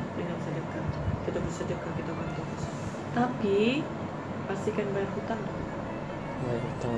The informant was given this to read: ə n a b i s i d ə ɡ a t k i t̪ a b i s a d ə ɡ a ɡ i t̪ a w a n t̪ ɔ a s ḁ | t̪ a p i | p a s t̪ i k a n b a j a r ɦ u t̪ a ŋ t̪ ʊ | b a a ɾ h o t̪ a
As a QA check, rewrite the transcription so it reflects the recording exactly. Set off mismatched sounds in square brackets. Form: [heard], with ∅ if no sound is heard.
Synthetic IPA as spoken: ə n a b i s [a] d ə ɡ a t k i t̪ a b i s a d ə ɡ a [k] i t̪ a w a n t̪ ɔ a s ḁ | t̪ a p i | p a s t̪ i k a n b a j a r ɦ u t̪ a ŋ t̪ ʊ | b a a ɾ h [u] t̪ a